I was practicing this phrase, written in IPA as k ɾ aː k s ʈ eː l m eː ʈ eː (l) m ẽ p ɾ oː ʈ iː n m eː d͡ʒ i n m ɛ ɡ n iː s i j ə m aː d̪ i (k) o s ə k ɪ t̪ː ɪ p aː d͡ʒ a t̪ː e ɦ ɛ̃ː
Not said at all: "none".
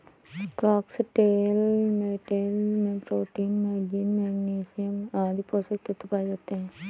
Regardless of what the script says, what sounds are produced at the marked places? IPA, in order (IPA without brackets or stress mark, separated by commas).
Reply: l, p